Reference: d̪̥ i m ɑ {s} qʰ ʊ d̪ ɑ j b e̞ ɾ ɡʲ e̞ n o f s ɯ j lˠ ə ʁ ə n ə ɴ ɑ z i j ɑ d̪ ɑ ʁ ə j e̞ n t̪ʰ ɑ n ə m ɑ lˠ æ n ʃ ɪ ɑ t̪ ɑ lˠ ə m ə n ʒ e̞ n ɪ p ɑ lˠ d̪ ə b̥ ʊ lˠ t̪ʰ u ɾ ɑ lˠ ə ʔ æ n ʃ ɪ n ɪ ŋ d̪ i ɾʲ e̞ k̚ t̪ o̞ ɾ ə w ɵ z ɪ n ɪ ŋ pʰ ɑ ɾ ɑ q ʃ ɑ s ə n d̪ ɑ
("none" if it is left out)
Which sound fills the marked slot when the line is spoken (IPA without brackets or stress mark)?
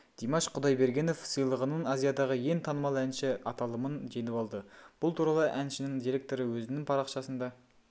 ʃ